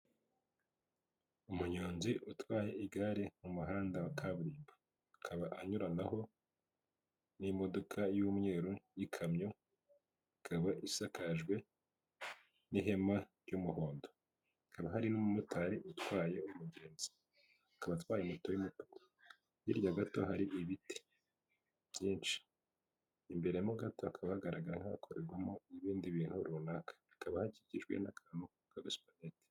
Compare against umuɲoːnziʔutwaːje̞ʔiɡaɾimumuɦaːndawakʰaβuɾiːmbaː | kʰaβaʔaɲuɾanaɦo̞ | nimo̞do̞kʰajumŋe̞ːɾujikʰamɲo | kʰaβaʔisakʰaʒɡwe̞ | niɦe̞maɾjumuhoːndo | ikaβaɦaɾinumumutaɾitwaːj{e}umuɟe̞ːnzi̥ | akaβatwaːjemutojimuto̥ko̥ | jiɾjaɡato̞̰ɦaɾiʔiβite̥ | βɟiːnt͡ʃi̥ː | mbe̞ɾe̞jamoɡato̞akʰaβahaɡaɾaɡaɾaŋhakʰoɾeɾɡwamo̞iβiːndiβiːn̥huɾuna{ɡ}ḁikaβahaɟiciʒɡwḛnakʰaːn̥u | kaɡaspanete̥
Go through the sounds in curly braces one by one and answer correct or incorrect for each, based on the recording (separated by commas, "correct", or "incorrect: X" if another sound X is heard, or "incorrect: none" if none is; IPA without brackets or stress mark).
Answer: correct, incorrect: k